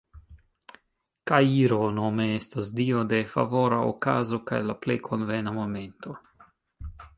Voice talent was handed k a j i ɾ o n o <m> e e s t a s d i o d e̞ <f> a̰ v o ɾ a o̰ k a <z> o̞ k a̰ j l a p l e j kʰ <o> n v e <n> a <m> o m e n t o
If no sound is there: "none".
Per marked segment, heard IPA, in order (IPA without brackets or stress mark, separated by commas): m, f, z, o, n, m